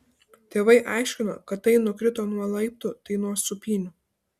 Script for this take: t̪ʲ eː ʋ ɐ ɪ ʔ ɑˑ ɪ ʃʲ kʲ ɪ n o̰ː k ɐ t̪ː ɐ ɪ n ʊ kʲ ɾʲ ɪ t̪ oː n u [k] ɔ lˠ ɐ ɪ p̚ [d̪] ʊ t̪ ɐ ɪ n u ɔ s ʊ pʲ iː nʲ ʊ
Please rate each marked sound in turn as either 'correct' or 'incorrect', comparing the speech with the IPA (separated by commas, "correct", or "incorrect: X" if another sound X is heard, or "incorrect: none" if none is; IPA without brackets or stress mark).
incorrect: none, incorrect: t̪